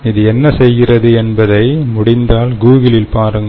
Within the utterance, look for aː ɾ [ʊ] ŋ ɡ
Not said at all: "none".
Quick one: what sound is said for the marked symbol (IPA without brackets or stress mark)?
ɯ